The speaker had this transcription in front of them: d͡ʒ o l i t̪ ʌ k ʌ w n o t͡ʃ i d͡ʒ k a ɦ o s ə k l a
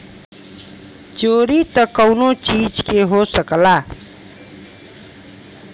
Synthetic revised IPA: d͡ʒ o ɾ i t̪ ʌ k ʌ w n o t͡ʃ i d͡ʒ k e ɦ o s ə k l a